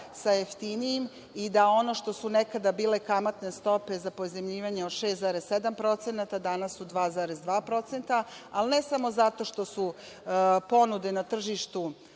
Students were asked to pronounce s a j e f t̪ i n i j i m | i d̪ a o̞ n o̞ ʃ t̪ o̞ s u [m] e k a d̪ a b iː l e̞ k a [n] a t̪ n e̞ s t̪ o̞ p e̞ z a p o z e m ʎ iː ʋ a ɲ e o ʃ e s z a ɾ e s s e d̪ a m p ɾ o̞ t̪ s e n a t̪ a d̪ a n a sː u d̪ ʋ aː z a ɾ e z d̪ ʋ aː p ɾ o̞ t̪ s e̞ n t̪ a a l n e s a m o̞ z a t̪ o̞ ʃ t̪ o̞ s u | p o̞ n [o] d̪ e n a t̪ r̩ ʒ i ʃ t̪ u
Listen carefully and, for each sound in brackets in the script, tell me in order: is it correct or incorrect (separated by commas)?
incorrect, incorrect, incorrect